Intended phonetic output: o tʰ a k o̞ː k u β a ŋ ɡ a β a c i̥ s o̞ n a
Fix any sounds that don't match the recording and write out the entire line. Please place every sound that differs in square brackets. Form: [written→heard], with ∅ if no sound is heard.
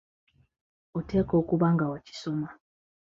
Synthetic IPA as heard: o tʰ [a→e] k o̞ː k u β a ŋ ɡ a [β→w] a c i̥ s o̞ [n→m] a